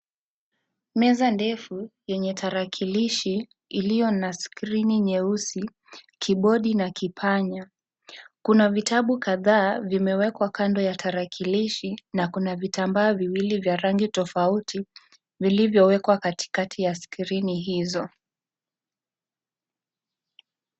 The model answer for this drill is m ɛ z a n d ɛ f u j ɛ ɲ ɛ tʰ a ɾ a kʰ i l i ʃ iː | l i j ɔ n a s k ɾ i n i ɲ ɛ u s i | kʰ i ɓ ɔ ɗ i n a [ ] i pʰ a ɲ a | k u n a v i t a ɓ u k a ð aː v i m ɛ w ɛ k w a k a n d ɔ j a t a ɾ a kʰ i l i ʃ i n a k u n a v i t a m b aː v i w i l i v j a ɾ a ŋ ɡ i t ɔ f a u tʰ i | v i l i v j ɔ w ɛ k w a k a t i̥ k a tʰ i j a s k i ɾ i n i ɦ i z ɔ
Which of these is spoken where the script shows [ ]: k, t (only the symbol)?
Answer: k